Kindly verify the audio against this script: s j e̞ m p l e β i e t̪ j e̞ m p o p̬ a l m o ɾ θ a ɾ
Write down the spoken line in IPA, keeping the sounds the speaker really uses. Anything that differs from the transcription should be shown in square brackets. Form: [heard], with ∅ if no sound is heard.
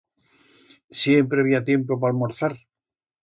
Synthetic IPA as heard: s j e̞ m p [ɾ] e β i [a] t̪ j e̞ m p o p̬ a l m o ɾ θ a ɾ

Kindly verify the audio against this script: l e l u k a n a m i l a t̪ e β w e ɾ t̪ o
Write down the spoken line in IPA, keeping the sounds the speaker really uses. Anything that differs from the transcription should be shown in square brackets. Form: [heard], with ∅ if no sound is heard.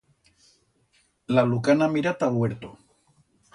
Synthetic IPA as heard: l [a] l u k a n a m i [ɾ] a t̪ [a] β w e ɾ t̪ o

